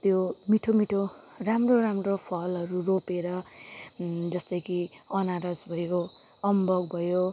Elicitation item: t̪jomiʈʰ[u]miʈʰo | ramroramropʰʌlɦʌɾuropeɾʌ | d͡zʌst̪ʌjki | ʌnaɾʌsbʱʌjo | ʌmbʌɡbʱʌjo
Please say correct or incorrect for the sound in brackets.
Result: incorrect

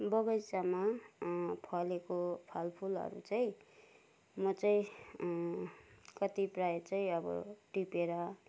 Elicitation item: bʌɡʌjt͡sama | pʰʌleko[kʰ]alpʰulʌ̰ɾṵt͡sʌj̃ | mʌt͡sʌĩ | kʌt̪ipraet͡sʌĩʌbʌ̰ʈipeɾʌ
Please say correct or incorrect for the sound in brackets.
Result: incorrect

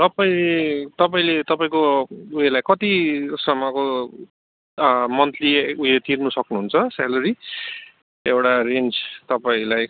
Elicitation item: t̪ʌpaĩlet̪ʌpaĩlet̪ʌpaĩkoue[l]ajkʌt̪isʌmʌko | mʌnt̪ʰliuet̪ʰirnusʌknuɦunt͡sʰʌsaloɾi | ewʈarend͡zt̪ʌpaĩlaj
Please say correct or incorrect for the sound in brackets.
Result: correct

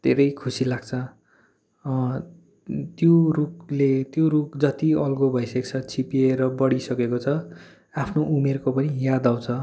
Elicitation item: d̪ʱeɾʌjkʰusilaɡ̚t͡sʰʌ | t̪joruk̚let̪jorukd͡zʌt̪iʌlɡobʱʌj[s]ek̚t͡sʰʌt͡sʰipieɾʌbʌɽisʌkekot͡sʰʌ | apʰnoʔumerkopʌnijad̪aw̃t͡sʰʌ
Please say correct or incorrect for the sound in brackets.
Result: correct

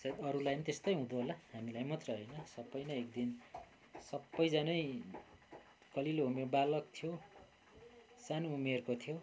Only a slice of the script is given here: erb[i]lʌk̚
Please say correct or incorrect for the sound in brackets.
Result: incorrect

